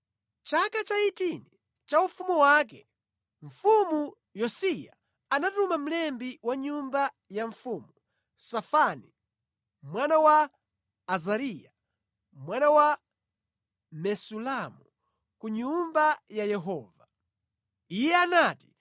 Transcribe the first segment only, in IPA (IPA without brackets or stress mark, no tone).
t͡ʃ